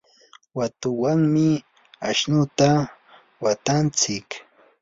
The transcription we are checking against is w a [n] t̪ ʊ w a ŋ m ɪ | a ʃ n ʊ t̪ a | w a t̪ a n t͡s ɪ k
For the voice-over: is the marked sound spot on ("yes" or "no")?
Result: no